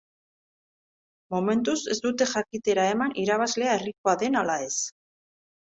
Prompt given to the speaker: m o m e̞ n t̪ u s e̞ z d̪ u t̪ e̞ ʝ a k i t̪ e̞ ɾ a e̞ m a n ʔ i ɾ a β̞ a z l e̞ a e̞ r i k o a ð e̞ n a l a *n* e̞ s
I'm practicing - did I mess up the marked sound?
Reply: yes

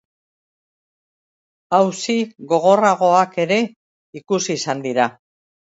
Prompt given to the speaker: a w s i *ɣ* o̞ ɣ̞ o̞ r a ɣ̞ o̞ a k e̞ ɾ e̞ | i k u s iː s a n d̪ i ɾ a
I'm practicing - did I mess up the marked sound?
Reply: no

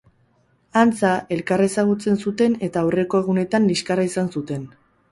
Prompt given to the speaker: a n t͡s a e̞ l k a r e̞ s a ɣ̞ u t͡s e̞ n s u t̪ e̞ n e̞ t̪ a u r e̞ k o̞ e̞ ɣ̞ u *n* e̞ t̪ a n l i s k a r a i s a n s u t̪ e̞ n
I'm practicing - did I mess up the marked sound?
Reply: no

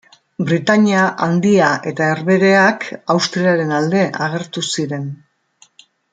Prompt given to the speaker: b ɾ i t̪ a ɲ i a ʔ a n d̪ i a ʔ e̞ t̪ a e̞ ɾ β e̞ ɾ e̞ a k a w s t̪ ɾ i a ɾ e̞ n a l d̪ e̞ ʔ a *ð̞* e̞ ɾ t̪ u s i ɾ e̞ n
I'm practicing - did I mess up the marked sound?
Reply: yes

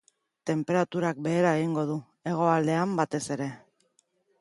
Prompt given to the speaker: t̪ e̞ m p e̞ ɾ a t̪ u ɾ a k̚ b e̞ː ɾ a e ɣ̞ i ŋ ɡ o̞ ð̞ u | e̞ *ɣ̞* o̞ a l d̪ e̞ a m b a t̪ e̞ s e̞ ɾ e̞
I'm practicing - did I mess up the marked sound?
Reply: no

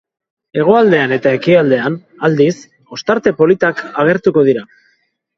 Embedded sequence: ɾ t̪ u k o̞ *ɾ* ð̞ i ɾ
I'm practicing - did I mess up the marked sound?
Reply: yes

